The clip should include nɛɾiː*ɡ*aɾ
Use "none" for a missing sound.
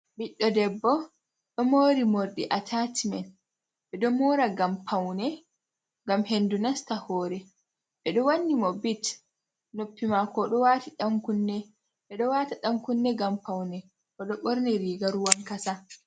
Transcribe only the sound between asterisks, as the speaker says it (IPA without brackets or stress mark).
ɡ